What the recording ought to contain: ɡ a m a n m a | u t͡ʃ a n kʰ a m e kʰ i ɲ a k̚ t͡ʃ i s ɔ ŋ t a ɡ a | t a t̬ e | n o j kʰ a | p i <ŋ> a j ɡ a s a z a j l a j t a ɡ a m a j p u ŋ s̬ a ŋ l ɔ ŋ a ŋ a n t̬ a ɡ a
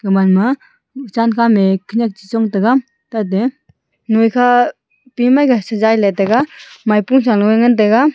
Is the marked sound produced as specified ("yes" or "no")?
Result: no